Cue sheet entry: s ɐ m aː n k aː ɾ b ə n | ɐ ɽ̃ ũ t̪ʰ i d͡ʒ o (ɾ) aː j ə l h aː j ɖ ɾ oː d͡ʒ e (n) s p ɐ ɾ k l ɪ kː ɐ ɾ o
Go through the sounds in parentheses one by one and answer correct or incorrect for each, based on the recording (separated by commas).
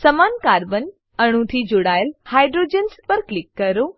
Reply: incorrect, correct